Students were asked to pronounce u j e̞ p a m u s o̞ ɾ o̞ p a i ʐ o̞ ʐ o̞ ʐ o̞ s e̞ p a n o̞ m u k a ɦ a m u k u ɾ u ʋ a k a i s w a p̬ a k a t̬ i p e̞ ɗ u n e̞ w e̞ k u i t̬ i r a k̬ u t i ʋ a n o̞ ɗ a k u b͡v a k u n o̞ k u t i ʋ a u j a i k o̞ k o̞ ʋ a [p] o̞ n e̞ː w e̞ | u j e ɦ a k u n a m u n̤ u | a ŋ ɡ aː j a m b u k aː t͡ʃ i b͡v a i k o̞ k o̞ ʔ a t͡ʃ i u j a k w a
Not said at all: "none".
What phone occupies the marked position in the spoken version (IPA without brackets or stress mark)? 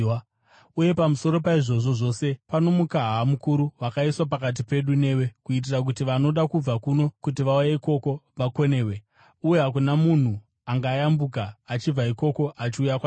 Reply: k